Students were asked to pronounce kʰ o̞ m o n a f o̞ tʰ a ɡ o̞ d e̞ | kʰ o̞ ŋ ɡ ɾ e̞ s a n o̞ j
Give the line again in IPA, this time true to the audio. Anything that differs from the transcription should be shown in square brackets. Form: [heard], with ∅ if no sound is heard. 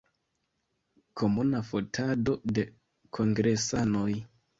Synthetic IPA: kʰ o̞ m [u] n a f o̞ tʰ a [d] o̞ d e̞ | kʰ o̞ ŋ ɡ ɾ e̞ s a n o̞ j